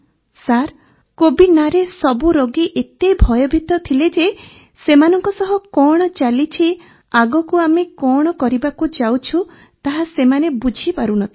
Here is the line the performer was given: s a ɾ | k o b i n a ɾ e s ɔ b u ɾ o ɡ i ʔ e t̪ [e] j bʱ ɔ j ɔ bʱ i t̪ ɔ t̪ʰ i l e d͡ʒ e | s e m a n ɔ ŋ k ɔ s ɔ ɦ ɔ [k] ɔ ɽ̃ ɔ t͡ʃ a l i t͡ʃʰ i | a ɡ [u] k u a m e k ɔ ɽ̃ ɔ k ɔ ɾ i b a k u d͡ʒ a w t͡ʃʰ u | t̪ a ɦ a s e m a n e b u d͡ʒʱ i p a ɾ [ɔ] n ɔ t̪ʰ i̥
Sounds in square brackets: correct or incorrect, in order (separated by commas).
correct, correct, incorrect, incorrect